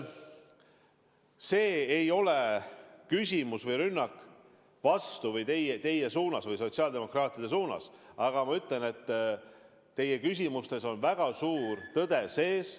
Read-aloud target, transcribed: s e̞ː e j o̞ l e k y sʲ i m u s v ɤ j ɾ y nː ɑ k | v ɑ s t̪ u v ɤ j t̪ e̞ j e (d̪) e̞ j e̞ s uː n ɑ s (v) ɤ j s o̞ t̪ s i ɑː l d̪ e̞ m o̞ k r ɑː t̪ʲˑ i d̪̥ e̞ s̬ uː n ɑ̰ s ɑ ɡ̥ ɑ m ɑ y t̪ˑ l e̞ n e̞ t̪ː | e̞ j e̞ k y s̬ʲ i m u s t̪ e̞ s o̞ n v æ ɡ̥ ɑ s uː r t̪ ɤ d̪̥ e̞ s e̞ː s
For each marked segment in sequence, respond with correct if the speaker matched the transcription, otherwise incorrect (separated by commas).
incorrect, correct